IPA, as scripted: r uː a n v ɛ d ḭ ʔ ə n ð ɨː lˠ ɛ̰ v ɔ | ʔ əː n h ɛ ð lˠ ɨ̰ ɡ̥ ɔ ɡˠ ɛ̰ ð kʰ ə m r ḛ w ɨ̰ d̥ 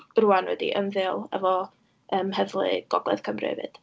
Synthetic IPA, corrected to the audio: r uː a n w ɛ d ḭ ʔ ə n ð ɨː lˠ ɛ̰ v ɔ | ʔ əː m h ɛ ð lˠ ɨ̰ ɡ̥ ɔ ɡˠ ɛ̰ ð kʰ ə m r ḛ v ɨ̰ d̥